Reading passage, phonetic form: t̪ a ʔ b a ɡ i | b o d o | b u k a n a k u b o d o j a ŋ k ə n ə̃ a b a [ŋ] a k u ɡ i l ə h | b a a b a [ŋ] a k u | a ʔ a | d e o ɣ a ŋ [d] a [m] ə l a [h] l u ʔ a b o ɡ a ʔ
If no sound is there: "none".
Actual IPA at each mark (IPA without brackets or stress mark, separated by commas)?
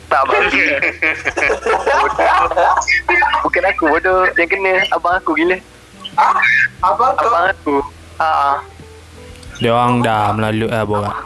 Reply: ŋ, ŋ, d, m, none